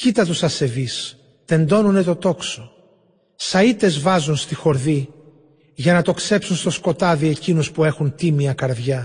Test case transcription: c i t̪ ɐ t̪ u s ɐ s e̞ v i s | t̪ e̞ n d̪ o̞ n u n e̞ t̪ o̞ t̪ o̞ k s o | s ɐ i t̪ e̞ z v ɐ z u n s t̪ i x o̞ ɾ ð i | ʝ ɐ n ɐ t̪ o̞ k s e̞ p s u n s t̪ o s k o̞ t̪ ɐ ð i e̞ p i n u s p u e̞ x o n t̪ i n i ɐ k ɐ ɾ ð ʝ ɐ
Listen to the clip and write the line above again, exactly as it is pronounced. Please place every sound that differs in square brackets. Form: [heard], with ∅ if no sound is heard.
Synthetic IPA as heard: c i t̪ ɐ t̪ u s ɐ s e̞ v i s | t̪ e̞ n d̪ o̞ n u n e̞ t̪ o̞ t̪ o̞ k s o | s ɐ i t̪ e̞ z v ɐ z u n s t̪ i x o̞ ɾ ð i | ʝ ɐ n ɐ t̪ o̞ k s e̞ p s u n s t̪ o s k o̞ t̪ ɐ ð i e̞ [c] i n u s p u e̞ x [u] n t̪ i [m] i ɐ k ɐ ɾ ð ʝ ɐ